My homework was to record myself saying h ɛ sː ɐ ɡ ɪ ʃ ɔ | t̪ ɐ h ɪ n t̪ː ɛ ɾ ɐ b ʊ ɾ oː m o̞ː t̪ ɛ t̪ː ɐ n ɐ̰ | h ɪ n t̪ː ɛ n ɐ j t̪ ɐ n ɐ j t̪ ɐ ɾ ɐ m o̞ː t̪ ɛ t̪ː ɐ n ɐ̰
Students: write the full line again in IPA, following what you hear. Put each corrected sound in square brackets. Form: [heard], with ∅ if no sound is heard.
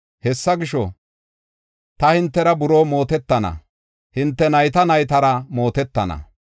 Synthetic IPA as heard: h ɛ sː ɐ ɡ ɪ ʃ ɔ | t̪ ɐ h ɪ n t̪ː ɛ ɾ ɐ b ʊ ɾ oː m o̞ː t̪ ɛ t̪ː ɐ n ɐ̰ | h ɪ n t̪ː ɛ n ɐ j t̪ ɐ n ɐ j t̪ ɐ ɾ ɐ m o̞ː t̪ ɛ t̪ː ɐ n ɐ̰